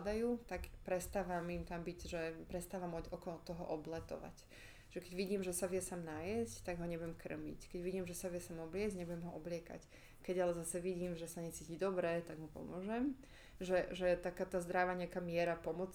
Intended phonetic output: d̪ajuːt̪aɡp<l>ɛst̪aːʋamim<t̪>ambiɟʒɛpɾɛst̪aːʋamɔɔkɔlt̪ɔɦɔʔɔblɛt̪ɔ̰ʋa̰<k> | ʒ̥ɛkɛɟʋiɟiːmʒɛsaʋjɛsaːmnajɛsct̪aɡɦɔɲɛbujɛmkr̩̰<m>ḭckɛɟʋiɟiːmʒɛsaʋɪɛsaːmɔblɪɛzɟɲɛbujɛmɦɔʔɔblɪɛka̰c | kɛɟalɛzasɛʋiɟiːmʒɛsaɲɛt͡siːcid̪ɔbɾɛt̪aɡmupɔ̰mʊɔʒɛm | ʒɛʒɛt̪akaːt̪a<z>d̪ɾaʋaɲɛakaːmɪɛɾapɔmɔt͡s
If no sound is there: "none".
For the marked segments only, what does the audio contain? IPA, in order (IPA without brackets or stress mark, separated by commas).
ɾ, t̪, c, m, z